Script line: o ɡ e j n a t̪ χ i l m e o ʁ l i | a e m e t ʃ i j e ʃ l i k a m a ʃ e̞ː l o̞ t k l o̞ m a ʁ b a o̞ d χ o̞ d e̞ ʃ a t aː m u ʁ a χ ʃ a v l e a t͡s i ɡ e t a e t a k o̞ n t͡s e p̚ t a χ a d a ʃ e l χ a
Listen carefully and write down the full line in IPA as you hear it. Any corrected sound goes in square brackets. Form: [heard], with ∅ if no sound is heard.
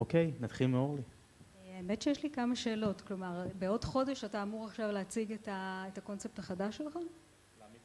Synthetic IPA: o [k] e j n a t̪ χ i l m e o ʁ l i | a e m e t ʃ [e] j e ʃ l i k a m a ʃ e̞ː l o̞ t k l o̞ m a ʁ b [e] o̞ d χ o̞ d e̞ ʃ a t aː m u ʁ a χ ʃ a v l e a t͡s i ɡ e t a e t a k o̞ n t͡s e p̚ t a χ a d a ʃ e l χ a